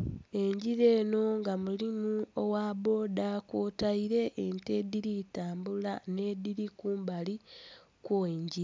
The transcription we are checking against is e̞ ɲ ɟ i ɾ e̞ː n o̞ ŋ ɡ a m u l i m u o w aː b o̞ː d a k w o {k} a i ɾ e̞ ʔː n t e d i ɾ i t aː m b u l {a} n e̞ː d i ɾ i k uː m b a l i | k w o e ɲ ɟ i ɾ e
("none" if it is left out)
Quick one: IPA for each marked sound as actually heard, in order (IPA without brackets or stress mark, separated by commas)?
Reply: t, a